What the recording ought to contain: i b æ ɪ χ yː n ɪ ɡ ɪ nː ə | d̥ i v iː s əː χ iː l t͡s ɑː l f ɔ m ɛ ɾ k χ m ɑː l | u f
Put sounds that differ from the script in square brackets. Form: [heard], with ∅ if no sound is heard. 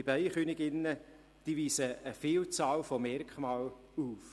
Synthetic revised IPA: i b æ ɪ χ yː n ɪ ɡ ɪ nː ə | d̥ i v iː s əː [f] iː l t͡s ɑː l f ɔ m ɛ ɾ k χ m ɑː l | u f